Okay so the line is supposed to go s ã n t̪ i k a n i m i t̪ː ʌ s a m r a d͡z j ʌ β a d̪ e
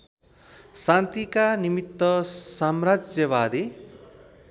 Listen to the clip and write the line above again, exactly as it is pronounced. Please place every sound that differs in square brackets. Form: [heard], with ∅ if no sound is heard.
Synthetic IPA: s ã n t̪ i k a n i m i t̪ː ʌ s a m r a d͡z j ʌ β a d̪ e

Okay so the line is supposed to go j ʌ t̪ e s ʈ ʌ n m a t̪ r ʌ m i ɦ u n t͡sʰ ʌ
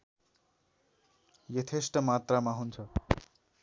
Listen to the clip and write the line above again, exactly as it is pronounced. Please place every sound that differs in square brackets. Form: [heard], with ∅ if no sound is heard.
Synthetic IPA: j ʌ [t̪ʰ] e s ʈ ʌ [∅] m a t̪ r [a] m [a] ɦ u n t͡sʰ ʌ

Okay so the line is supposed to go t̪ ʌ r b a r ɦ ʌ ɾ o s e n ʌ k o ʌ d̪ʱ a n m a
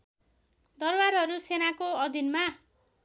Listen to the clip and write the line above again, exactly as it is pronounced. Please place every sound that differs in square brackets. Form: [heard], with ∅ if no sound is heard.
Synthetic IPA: [d̪] ʌ r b a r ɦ ʌ ɾ [u] s e n [a] k o ʌ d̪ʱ [i] n m a

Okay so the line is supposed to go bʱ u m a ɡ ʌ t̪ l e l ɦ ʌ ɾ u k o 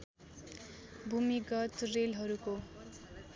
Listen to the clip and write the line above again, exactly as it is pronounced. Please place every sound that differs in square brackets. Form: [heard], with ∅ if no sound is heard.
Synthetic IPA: bʱ u m [i] ɡ ʌ t̪ [r] e l ɦ ʌ ɾ u k o

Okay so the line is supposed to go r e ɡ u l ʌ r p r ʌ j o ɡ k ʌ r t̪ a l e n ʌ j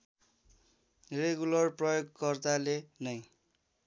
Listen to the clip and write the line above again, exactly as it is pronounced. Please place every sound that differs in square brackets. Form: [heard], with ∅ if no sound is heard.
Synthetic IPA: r e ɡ u l ʌ r p r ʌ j o ɡ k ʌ r t̪ a l e n ʌ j

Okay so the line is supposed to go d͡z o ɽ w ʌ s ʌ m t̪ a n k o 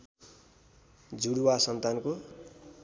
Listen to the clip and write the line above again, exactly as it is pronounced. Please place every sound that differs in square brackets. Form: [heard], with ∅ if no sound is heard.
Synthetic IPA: d͡z [u] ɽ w [a] s ʌ [n] t̪ a n k o

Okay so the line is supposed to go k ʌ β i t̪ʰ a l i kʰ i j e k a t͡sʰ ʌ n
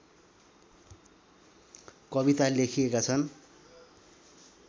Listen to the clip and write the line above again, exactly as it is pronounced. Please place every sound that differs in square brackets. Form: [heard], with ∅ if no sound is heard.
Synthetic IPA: k ʌ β i [t̪] a l [e] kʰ i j e k a t͡sʰ ʌ n

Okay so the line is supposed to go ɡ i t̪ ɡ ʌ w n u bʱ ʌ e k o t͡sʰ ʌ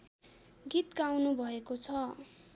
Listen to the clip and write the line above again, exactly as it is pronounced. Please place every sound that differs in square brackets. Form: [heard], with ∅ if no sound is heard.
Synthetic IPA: ɡ i t̪ ɡ [a] w n u bʱ ʌ e k o t͡sʰ ʌ

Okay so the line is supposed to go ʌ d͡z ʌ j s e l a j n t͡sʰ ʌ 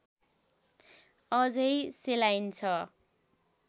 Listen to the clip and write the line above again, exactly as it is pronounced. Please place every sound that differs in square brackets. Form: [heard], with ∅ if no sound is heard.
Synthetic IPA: ʌ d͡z ʌ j s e l a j n t͡sʰ ʌ

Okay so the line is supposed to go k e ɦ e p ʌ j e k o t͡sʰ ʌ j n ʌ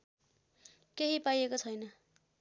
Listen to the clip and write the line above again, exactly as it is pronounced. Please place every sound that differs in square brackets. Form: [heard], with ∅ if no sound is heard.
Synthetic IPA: k e ɦ [i] p [a] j e k o t͡sʰ ʌ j n ʌ

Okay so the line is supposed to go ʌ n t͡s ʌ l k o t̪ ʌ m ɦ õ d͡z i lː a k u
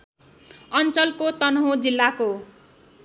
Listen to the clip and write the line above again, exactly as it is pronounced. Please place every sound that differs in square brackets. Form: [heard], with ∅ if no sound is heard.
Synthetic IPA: ʌ n t͡s ʌ l k o t̪ ʌ [n] ɦ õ d͡z i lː a k [o]

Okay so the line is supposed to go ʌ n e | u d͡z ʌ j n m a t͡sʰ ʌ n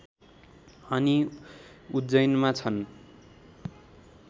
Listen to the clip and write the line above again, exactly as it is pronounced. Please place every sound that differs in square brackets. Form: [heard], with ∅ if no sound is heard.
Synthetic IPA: ʌ n [i] | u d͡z ʌ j n m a t͡sʰ ʌ n

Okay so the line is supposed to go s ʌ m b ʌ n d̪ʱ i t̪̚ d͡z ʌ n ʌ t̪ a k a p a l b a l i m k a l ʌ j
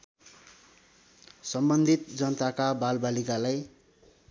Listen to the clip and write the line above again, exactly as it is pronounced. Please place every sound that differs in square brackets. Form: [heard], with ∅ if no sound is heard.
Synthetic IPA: s ʌ m b ʌ n d̪ʱ i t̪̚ d͡z ʌ n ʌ t̪ a k a [b] a l b a l i [∅] k a l [a] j

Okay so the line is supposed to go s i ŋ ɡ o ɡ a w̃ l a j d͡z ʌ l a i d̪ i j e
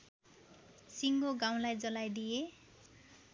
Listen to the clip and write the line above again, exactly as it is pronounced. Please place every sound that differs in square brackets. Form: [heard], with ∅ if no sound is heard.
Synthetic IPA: s i ŋ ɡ o ɡ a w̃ l a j d͡z ʌ l a [j] d̪ i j e

